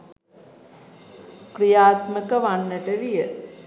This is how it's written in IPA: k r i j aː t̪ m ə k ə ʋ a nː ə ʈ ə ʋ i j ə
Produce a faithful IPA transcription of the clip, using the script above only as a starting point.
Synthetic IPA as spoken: k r i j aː t̪ m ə k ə ʋ a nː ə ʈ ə ʋ i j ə